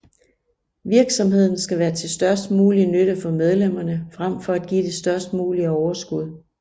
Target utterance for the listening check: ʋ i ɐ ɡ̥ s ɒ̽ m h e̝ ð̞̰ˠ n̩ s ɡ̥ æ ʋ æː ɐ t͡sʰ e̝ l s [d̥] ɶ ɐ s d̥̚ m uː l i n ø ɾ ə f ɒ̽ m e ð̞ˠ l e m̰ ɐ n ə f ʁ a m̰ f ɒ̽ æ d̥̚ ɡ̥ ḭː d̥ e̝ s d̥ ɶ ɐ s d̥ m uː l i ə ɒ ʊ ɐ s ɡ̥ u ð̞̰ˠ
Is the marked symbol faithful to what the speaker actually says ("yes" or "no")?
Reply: yes